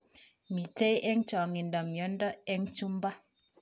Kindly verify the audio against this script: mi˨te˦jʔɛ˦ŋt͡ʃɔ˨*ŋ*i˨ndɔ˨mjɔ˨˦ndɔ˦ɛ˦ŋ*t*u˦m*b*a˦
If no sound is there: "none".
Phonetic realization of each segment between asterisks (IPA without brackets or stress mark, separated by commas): ŋ, t͡ʃ, b